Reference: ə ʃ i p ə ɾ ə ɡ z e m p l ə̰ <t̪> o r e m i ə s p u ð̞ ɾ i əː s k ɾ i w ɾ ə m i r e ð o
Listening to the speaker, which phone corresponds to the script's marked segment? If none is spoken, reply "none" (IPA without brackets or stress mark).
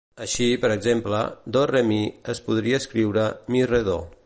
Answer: d̪